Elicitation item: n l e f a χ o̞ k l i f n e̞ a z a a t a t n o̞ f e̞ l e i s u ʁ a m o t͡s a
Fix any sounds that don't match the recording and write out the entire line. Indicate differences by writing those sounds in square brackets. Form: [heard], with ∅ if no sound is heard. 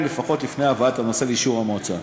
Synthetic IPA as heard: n l e f a χ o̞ [t] l i f n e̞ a [v] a a t a [∅] n o̞ [s] e̞ l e i [ʃ] u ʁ a m o t͡s a

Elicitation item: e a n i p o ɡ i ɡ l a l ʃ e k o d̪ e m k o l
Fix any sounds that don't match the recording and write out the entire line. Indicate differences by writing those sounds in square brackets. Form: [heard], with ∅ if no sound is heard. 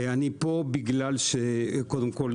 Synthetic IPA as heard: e a n i p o [b] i ɡ l a l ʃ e k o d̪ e m k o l

